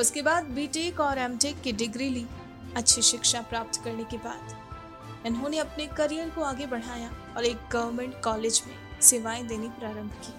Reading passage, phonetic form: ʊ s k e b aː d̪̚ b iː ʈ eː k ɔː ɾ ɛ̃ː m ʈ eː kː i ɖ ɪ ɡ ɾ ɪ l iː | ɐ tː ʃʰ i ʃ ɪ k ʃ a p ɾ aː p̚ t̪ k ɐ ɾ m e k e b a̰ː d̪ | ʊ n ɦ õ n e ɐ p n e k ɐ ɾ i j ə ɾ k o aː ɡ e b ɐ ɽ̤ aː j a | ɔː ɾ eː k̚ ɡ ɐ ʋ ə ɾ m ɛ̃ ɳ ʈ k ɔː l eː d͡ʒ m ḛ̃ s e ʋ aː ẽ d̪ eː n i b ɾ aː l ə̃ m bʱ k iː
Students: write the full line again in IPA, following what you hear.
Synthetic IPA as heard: ʊ s k e b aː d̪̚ b iː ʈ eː k ɔː ɾ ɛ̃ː m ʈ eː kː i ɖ ɪ ɡ ɾ i l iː | ɐ tː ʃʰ i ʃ ɪ k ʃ a p ɾ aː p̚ t̪ k ɐ ɾ n e k e b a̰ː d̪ | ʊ n ɦ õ n e ɐ p n e k ɐ ɾ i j ə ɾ k o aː ɡ e b ɐ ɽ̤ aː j a | ɔː ɾ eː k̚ ɡ ɐ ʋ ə ɾ m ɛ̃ ɳ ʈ k ɔː l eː d͡ʒ m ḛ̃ s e ʋ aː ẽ d̪ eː n i p ɾ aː ɾ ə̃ m bʱ k iː